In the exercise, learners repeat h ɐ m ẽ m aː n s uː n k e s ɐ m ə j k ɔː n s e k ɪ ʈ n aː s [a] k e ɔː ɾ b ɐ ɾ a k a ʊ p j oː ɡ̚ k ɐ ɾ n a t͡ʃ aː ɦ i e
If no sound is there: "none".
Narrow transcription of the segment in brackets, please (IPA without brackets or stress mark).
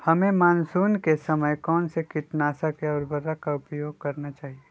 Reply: a